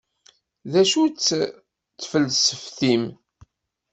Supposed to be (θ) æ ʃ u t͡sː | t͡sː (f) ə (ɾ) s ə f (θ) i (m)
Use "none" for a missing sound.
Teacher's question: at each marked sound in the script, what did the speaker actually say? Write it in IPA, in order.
ð, f, l, θ, m

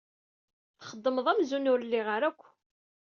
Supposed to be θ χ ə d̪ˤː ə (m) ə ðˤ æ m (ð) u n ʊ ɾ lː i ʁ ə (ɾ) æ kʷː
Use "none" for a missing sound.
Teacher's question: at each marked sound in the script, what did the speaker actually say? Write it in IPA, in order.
m, z, ɾ

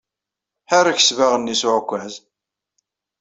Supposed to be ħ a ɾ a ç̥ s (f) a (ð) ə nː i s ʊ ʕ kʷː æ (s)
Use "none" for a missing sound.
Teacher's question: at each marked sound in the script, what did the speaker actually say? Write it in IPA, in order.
v, ʁ, z

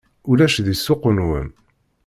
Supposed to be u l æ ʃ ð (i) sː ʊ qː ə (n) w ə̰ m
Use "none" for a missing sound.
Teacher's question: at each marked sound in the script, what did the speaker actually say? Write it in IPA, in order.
i, n

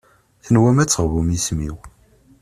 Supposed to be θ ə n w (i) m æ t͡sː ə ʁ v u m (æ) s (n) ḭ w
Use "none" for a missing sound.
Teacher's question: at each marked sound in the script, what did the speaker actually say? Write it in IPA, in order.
æ, i, m

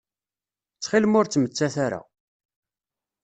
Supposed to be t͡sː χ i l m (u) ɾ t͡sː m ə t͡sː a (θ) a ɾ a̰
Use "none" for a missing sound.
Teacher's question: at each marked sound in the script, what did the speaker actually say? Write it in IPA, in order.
ʊ, θ

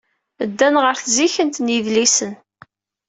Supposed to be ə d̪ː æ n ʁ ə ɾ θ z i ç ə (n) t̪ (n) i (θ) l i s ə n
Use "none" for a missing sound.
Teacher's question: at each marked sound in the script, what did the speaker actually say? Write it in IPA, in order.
n, n, ð

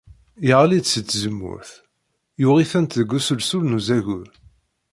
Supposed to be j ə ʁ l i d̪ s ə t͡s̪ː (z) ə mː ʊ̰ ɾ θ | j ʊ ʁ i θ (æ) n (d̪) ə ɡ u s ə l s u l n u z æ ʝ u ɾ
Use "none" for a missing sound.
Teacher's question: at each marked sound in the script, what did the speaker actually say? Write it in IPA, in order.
z, æ, t̪

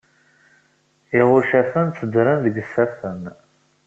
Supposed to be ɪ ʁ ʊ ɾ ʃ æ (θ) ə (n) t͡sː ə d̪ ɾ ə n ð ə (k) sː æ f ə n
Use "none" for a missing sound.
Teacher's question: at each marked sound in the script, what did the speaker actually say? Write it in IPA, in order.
f, n, ɡ

